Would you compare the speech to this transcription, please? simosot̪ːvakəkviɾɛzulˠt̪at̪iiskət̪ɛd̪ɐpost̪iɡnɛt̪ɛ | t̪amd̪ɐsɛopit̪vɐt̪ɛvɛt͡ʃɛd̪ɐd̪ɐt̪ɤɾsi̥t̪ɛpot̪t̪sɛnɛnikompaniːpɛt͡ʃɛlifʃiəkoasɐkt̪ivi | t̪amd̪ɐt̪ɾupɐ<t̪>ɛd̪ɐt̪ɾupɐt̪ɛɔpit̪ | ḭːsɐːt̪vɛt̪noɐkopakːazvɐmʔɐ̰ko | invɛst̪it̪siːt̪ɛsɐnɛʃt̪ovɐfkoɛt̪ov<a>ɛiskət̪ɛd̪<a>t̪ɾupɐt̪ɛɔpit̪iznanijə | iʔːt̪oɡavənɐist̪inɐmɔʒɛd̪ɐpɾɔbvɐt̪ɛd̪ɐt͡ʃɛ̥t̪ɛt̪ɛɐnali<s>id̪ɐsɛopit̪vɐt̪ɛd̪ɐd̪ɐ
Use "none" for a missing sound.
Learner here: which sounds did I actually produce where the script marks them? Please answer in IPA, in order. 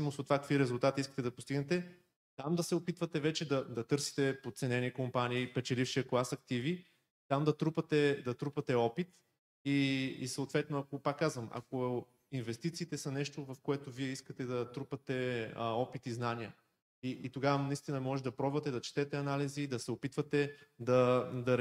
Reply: t̪, i, ɐ, z

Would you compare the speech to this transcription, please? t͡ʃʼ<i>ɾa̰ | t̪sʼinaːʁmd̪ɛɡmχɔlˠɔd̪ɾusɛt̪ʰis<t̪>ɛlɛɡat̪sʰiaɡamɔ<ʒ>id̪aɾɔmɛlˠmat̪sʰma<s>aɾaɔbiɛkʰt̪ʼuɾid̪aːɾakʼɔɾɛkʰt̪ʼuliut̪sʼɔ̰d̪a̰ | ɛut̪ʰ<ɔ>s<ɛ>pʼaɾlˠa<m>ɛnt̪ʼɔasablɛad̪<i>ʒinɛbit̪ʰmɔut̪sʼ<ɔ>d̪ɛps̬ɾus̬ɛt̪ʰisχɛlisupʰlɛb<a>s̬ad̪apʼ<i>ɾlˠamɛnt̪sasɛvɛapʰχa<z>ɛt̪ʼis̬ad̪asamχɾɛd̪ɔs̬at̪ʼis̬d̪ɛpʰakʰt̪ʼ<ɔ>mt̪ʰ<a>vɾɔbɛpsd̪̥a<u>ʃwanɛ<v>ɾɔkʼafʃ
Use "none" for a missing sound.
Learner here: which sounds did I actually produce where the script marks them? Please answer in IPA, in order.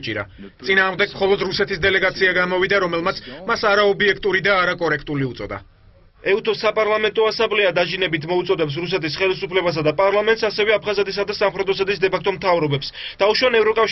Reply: i, d̪, v, s, ɔ, a, m, a, ɔ, a, a, z, ɔ, a, u, v

